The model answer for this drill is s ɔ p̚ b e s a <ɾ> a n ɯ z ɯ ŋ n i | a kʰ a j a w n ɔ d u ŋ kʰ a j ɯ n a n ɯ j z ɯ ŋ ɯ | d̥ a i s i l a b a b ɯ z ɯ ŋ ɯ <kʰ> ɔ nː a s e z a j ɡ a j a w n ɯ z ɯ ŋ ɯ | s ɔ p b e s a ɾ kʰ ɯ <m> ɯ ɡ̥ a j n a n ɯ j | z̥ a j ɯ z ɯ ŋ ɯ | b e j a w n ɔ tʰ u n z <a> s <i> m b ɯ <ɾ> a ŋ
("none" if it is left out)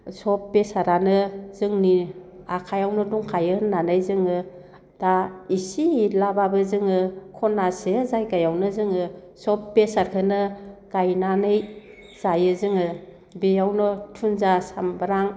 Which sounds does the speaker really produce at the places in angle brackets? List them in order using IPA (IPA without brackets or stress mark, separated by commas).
ɾ, kʰ, n, a, a, ɾ